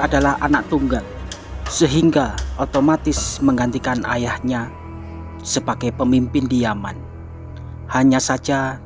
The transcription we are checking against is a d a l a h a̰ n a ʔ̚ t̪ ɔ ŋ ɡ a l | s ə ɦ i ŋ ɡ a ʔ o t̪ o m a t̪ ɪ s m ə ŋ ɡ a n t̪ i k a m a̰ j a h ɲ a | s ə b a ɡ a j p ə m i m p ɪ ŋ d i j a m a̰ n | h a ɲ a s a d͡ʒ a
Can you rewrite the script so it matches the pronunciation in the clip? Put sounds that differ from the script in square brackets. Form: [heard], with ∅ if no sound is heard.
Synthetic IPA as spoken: a d a l a h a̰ n a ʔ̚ t̪ [u] ŋ ɡ a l | s ə ɦ i ŋ ɡ a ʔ o t̪ o m a t̪ ɪ s m ə ŋ ɡ a n t̪ i k a [n] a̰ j a h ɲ a | s ə b a ɡ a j p ə m i m p ɪ [n] d i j a m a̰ n | h a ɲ a s a d͡ʒ a